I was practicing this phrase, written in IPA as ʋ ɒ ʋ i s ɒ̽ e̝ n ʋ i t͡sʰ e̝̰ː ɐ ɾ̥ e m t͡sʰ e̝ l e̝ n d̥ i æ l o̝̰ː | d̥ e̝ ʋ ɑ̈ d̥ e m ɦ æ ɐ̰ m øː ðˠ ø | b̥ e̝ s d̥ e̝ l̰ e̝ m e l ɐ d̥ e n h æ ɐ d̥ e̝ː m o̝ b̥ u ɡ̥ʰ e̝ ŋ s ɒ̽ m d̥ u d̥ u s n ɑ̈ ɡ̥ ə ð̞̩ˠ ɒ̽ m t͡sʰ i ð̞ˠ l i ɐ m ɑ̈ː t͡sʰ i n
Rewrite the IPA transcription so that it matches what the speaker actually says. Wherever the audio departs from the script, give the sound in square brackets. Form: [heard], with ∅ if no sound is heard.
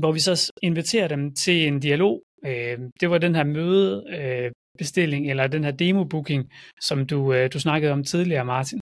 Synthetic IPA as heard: ʋ ɒ ʋ i s ɒ̽ e̝ n ʋ i t͡sʰ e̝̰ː ɐ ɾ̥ e m t͡sʰ e̝ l e̝ n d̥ i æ l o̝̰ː | d̥ e̝ ʋ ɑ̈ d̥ e [n] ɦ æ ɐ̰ m øː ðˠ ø | b̥ e̝ s d̥ e̝ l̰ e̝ [ŋ] e l ɐ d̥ e n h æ ɐ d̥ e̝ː m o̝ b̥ u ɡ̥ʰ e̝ ŋ s ɒ̽ m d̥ u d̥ u s n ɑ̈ ɡ̥ ə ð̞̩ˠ ɒ̽ m t͡sʰ i ð̞ˠ l i ɐ m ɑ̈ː t͡sʰ i n